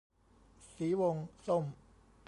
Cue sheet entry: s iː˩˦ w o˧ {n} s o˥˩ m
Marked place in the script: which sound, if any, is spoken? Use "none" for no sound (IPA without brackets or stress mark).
ŋ